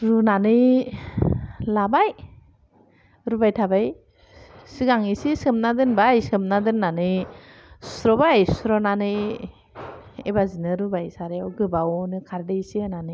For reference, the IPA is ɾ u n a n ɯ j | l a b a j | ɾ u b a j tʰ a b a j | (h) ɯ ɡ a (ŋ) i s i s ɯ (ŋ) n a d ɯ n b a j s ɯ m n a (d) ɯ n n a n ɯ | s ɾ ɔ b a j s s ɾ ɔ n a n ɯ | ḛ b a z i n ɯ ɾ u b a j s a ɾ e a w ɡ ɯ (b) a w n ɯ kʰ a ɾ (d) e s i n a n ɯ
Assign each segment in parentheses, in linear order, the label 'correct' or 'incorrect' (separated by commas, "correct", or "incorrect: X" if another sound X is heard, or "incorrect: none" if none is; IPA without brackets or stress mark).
incorrect: s, correct, incorrect: m, correct, correct, correct